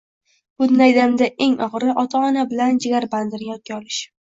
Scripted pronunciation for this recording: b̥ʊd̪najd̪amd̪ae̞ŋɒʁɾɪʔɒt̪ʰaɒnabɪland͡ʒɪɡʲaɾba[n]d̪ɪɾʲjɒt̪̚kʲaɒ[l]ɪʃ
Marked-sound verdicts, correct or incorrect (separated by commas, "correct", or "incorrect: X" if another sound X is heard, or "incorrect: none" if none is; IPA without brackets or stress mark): correct, correct